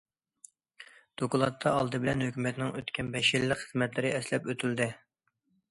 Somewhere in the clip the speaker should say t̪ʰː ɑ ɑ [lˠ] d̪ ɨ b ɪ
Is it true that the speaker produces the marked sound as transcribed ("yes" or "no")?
yes